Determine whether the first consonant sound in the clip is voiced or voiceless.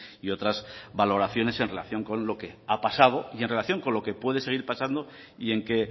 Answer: voiceless